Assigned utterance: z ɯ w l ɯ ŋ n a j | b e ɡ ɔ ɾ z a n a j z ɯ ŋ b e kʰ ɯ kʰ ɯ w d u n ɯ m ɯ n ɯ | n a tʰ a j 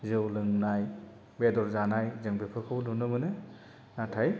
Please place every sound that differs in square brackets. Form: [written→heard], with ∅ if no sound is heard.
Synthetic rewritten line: z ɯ w l ɯ ŋ n a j | b e [ɡ→d] ɔ ɾ z a n a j z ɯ ŋ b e [kʰ→pʰ] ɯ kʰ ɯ w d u n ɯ m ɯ n ɯ | n a tʰ a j